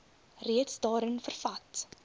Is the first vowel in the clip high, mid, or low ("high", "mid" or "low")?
high